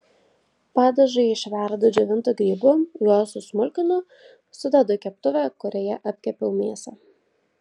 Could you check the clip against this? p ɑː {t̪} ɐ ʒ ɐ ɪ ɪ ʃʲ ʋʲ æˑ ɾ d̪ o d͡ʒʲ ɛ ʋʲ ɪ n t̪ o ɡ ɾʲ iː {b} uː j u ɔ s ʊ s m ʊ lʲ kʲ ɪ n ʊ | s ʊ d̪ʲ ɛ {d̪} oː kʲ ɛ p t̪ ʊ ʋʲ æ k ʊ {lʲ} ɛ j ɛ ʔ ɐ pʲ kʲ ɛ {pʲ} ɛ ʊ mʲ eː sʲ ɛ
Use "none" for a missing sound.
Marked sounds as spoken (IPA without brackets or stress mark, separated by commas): d̪, b, d̪, ɾʲ, pʲ